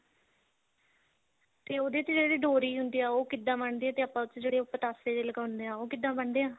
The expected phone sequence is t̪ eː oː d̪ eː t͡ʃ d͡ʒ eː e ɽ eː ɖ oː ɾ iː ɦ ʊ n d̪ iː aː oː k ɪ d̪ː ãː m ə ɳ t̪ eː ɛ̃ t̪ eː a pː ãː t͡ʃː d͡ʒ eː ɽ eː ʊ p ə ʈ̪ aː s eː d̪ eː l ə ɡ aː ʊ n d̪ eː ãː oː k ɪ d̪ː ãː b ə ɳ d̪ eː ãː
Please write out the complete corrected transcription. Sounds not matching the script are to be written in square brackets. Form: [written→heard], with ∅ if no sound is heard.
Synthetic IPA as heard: t̪ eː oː d̪ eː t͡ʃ d͡ʒ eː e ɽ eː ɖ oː ɾ iː ɦ ʊ n d̪ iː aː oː k ɪ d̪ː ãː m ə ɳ [t̪→d̪] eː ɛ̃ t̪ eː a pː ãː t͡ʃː d͡ʒ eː ɽ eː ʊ p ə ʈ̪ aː s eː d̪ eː l ə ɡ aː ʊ n d̪ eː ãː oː k ɪ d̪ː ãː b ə ɳ d̪ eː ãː